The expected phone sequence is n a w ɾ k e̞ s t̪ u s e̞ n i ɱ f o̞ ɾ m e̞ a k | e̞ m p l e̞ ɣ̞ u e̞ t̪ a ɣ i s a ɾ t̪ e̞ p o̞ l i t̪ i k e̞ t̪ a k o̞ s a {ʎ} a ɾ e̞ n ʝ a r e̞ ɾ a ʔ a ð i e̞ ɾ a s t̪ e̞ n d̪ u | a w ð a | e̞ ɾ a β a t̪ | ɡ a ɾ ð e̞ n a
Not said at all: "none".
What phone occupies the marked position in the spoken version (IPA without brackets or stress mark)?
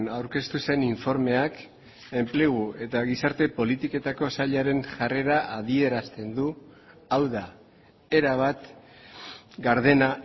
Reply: ʎ